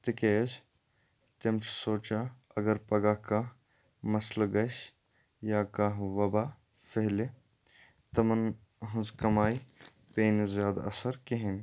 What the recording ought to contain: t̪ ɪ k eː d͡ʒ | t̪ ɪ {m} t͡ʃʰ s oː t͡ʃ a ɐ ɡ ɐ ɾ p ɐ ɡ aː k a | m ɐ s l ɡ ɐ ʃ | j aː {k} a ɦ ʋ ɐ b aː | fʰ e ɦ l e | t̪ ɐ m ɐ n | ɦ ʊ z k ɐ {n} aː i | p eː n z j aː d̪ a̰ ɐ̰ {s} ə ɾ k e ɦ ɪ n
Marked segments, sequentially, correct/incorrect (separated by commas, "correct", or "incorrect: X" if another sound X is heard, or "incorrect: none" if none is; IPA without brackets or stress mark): correct, correct, incorrect: m, correct